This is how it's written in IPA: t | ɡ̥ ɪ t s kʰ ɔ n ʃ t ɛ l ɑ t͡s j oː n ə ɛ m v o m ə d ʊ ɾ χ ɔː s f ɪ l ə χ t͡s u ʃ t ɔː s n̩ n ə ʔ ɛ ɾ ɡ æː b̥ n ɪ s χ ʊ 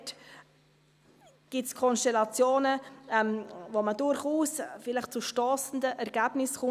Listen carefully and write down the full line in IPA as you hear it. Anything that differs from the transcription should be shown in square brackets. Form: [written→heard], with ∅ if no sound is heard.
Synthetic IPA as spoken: t | ɡ̥ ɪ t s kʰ ɔ n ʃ t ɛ l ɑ t͡s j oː n ə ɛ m v o m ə d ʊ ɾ χ [ɔː→uː] s f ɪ l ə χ t͡s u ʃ t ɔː s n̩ [n→d] ə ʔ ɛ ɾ ɡ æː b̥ n ɪ s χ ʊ